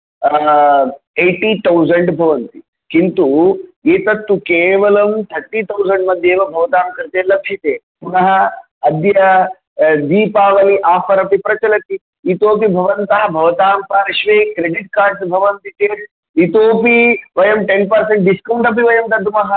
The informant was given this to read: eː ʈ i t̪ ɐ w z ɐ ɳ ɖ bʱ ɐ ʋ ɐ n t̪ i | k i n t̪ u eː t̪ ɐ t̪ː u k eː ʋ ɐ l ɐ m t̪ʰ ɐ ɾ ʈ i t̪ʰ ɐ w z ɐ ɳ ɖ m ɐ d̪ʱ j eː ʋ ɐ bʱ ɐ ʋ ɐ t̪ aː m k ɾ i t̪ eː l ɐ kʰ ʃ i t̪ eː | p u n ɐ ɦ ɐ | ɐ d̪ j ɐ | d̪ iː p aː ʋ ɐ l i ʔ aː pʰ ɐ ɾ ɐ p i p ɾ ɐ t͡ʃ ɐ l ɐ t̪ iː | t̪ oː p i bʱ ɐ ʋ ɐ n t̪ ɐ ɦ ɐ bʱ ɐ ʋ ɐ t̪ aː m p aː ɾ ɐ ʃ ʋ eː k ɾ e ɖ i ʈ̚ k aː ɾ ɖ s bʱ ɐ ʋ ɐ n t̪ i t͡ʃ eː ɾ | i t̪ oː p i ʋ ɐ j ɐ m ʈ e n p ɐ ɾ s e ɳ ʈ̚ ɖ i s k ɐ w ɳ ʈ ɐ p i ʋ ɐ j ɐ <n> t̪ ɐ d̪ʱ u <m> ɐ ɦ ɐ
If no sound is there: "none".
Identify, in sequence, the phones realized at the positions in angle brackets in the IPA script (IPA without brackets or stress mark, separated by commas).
m, m